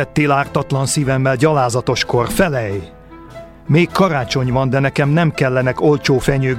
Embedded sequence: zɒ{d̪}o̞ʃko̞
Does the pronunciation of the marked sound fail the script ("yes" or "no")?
yes